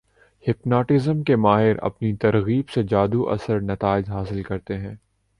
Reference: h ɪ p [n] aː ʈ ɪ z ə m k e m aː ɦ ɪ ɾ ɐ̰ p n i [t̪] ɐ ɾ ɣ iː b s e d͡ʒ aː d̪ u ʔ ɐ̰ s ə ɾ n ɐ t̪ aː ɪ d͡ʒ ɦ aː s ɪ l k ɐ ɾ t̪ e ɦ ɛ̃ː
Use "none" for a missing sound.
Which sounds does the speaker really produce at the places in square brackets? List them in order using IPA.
n, t̪

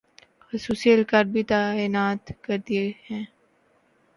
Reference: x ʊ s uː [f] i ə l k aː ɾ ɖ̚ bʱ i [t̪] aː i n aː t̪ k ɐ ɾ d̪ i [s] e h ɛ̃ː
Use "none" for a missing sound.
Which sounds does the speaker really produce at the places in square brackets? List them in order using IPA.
s, t̪, none

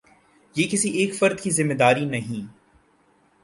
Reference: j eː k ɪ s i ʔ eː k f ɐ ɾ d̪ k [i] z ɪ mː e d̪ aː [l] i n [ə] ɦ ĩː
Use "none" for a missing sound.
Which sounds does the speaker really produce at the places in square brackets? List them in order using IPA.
i, ɾ, ɐ

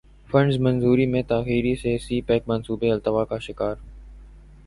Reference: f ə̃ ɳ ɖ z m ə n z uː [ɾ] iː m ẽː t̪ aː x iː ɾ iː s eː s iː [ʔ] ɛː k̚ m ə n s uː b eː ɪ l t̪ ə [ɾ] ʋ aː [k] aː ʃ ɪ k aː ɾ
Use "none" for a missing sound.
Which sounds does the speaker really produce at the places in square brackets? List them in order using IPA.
ɾ, p, none, k

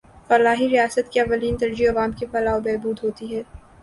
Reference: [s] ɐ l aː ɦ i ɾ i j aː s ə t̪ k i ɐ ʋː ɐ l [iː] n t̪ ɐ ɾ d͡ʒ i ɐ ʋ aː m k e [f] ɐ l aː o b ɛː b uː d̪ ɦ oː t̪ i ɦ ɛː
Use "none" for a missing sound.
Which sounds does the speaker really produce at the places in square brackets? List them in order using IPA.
f, iː, f

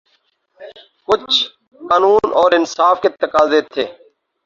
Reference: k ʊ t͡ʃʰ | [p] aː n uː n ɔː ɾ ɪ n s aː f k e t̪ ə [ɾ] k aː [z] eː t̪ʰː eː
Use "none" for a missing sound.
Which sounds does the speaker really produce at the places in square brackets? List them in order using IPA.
k, none, z

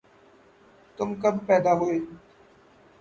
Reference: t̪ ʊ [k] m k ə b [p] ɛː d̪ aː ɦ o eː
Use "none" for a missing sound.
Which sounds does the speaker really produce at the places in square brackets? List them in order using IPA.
none, p

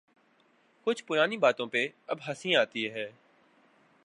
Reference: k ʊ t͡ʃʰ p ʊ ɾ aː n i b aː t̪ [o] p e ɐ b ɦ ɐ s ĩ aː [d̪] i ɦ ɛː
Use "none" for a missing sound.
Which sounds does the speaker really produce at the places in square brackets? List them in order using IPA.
õ, t̪

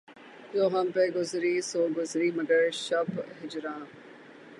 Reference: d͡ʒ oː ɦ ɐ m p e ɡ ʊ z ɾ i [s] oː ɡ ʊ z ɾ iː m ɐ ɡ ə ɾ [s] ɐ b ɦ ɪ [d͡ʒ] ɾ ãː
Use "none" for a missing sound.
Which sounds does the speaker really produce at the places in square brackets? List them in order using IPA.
s, ʃ, d͡ʒ

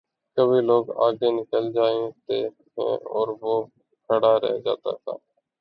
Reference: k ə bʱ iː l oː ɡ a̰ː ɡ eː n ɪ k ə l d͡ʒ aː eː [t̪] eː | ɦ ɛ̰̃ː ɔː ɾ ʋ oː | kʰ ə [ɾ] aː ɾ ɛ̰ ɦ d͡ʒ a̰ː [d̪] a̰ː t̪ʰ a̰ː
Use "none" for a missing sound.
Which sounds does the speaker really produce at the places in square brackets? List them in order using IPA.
t̪, ɽ, t̪

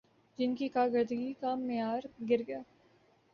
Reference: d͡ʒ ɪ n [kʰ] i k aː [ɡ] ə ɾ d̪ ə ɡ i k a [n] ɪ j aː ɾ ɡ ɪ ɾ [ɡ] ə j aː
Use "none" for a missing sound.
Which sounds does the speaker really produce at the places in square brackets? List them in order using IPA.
k, ɡ, m, ɡ

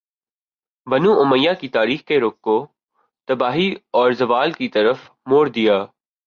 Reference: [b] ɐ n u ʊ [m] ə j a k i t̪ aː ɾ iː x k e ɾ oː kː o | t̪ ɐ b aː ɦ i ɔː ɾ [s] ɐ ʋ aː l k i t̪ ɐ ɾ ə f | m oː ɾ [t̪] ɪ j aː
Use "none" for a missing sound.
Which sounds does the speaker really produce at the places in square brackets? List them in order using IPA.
b, m, z, d̪

